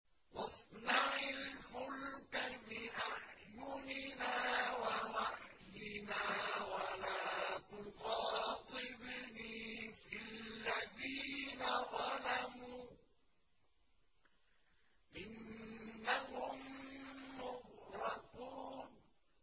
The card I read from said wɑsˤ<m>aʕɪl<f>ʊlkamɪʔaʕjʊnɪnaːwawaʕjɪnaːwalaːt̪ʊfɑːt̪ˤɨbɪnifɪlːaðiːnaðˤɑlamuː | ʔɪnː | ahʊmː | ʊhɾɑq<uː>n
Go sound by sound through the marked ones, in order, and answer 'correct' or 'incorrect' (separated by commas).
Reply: incorrect, correct, correct